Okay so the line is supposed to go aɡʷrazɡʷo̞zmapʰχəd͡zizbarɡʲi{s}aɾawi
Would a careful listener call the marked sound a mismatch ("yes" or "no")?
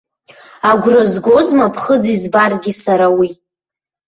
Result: no